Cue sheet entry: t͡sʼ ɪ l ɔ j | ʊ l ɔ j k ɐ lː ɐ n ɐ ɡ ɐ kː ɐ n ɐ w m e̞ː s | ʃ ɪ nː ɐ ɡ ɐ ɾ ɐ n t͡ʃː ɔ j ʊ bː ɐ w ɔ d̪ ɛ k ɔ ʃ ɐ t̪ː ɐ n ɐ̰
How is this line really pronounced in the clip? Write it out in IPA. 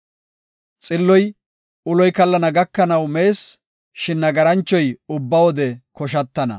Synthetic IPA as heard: t͡sʼ ɪ lː ɔ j | ʊ l ɔ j k ɐ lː ɐ n ɐ ɡ ɐ kː ɐ n ɐ w m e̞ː s | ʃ ɪ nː ɐ ɡ ɐ ɾ ɐ n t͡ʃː ɔ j ʊ bː ɐ w ɔ d̪ ɛ k ɔ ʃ ɐ t̪ː ɐ n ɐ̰